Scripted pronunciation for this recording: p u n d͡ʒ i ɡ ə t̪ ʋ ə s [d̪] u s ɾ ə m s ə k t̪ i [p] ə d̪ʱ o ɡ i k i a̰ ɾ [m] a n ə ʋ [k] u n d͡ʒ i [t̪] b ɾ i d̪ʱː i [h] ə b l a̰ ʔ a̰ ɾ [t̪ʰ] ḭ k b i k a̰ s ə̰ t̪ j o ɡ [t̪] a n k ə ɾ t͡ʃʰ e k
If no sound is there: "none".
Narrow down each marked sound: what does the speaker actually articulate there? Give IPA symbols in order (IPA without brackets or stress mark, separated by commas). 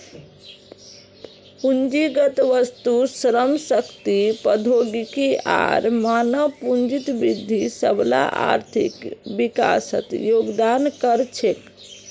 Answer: t̪, p, m, p, t̪, s, t̪ʰ, d̪